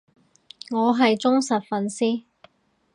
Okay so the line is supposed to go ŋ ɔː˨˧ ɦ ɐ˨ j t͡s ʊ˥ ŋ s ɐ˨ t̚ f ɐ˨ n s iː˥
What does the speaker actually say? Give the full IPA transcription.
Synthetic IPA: ŋ ɔː˨˧ ɦ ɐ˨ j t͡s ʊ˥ ŋ s ɐ˨ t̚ f ɐ˨ n s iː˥